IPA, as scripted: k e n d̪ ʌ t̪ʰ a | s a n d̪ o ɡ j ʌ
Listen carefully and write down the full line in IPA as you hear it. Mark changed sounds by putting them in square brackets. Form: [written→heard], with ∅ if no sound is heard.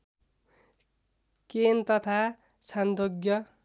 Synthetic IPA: k e n [d̪→t̪] ʌ t̪ʰ a | s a n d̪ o ɡ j ʌ

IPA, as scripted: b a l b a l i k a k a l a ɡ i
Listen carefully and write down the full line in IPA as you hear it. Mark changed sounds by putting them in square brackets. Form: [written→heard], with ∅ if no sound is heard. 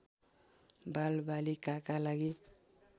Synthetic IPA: b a l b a l i k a k a l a ɡ i

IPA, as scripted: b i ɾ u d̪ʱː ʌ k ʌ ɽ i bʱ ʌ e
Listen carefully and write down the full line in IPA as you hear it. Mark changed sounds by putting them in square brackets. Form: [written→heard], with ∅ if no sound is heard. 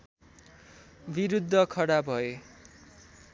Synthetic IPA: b i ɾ u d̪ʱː ʌ [k→kʰ] ʌ ɽ [i→a] bʱ ʌ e

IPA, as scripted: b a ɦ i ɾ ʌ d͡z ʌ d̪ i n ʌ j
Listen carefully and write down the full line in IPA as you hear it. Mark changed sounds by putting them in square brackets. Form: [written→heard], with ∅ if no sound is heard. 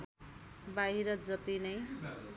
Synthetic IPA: b a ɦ i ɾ ʌ d͡z ʌ [d̪→t̪] i n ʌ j

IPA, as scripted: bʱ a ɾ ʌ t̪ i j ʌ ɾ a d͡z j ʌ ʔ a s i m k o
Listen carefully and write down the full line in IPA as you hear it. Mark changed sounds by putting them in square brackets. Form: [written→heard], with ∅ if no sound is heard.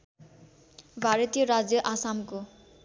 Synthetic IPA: bʱ a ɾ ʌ t̪ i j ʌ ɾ a d͡z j ʌ ʔ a s [i→a] m k o

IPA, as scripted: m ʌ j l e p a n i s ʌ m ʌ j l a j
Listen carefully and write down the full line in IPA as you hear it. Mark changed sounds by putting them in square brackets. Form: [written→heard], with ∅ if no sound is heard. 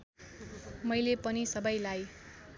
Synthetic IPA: m ʌ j l e p [a→ʌ] n i s ʌ [m→b] ʌ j l a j

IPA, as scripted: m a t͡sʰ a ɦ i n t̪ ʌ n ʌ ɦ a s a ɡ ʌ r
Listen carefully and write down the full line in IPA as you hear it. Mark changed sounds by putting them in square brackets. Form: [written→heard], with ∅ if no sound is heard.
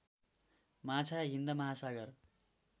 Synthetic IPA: m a t͡sʰ a ɦ i n [t̪→d̪] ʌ [n→m] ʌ ɦ a s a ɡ ʌ r

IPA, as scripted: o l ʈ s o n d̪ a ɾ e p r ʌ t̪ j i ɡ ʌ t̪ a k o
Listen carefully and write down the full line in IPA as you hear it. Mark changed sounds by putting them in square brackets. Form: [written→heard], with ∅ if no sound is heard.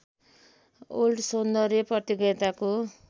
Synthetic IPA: o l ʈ s o n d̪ [a→ʌ] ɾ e p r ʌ t̪ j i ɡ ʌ t̪ a k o

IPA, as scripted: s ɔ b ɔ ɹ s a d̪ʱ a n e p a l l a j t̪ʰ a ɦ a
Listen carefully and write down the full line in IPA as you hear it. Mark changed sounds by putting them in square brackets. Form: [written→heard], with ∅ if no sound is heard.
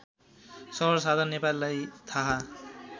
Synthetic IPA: s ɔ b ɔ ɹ s a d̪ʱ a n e p a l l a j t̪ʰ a ɦ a

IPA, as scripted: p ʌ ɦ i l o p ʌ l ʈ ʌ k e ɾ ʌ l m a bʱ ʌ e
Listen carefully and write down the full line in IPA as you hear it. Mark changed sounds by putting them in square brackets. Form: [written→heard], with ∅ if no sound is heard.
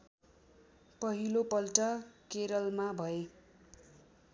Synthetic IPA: p ʌ ɦ i l o p ʌ l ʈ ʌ k e ɾ ʌ l m a bʱ ʌ e

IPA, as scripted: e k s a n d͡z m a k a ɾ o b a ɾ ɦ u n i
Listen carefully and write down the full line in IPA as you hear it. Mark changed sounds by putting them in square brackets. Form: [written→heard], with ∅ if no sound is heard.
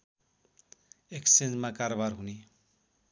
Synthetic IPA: e k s [a→e] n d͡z m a k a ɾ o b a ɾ ɦ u n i

